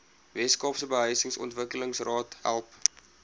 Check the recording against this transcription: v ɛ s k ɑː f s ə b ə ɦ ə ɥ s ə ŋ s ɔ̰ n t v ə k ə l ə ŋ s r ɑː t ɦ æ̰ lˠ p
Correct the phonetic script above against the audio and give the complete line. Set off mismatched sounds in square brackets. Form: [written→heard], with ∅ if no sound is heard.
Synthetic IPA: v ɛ s k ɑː f s ə b ə ɦ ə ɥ s ə ŋ s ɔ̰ n t v ə k ə l ə ŋ s r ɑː t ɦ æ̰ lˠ p